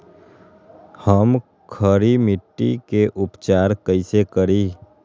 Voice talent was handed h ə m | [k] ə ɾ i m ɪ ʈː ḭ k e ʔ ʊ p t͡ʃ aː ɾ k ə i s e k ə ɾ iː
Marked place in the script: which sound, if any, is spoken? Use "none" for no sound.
kʰ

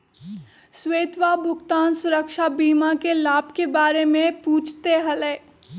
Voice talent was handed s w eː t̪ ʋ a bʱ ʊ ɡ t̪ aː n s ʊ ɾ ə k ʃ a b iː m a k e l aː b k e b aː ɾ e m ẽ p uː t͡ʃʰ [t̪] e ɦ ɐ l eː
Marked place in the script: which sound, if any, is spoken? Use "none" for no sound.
t̪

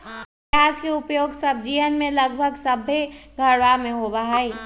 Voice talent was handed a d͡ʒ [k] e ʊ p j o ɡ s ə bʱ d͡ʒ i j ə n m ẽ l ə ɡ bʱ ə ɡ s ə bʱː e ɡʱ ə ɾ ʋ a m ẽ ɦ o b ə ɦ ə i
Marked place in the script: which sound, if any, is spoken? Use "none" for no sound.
k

